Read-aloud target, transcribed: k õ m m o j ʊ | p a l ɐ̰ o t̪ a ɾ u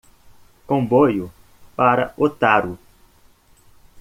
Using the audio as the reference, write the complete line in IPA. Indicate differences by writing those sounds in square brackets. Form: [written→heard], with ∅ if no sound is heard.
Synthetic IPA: k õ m [m→b] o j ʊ | p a [l→ɾ] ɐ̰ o t̪ a ɾ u